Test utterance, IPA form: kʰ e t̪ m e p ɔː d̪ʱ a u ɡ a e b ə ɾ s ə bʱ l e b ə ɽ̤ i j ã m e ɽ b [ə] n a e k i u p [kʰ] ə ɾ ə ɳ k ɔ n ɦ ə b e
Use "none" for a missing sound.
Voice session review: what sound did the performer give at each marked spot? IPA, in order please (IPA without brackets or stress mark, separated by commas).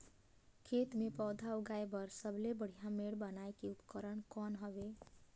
ə, k